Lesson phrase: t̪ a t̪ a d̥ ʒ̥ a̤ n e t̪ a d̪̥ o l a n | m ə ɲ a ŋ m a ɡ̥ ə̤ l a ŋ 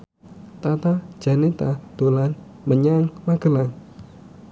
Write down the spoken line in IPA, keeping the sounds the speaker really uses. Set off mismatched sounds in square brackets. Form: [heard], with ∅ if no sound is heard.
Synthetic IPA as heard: t̪ a t̪ a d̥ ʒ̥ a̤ n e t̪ a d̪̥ o l a n | m ə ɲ a ŋ m a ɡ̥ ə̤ l a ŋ